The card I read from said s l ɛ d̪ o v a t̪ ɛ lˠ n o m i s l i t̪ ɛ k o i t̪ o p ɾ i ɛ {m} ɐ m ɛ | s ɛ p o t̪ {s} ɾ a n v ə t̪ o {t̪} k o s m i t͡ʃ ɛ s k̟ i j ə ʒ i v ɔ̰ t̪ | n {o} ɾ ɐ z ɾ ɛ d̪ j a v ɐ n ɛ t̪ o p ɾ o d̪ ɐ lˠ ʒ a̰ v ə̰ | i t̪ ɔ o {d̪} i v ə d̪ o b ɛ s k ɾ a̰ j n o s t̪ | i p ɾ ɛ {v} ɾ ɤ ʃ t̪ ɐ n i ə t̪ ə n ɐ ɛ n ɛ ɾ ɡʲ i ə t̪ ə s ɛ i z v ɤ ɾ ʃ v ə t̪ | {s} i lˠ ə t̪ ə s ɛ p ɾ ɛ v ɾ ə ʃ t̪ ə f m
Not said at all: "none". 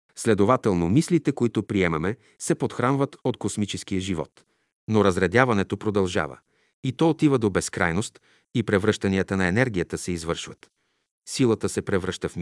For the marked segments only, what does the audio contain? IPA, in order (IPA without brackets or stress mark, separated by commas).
m, x, t̪, o, t̪, v, s